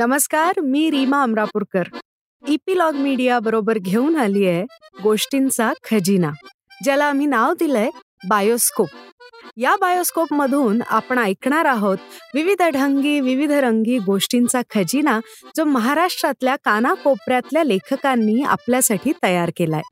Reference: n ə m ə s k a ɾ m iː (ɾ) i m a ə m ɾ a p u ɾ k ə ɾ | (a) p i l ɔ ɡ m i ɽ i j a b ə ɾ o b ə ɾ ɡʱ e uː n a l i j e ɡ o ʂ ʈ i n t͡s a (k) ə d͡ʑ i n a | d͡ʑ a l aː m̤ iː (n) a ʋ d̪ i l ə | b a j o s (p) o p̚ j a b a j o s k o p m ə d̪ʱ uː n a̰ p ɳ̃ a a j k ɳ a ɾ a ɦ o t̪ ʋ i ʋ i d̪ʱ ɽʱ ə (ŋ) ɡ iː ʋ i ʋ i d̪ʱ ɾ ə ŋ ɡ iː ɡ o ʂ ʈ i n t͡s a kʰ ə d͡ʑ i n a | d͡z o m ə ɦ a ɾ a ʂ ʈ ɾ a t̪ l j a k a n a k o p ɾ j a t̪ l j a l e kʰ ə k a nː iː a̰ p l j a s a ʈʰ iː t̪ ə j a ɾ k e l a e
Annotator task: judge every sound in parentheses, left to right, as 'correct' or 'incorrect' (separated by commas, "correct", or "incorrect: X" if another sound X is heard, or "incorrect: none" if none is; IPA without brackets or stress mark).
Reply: correct, incorrect: i, incorrect: kʰ, correct, incorrect: k, correct